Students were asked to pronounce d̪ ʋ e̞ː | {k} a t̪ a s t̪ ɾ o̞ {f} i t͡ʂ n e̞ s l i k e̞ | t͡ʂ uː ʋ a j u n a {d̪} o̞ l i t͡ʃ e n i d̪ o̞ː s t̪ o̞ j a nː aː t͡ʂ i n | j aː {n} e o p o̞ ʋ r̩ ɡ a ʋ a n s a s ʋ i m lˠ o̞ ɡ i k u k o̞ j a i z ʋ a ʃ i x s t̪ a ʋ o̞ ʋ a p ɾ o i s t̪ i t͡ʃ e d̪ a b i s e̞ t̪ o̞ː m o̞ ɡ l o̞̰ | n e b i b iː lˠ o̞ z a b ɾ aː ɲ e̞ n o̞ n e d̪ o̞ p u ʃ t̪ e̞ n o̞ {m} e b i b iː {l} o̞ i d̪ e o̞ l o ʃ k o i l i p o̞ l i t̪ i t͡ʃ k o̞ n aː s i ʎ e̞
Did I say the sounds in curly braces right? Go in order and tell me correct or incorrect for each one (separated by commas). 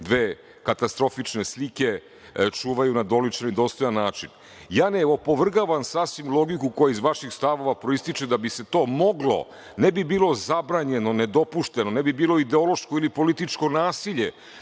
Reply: correct, correct, correct, correct, incorrect, correct